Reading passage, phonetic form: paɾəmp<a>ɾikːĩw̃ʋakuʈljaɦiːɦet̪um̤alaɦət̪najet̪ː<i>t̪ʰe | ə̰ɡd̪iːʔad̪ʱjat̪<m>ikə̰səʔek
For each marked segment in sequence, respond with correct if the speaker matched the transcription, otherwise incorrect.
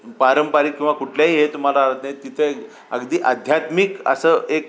correct, correct, correct

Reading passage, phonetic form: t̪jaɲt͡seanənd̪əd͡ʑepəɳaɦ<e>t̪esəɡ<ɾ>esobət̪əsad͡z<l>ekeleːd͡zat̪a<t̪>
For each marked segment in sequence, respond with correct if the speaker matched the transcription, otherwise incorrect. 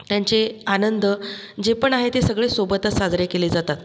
correct, incorrect: ɭ, incorrect: ɾ, correct

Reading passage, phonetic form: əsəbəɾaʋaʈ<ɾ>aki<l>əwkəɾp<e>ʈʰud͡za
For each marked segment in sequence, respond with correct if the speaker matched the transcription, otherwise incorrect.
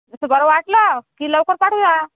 incorrect: l, correct, incorrect: a

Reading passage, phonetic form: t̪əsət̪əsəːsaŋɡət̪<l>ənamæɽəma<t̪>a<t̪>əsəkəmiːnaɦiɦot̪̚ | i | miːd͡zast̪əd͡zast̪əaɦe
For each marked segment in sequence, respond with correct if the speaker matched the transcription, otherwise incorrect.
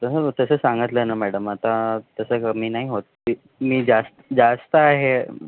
correct, correct, correct

